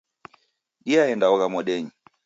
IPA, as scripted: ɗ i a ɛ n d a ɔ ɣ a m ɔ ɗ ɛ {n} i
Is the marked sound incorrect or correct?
incorrect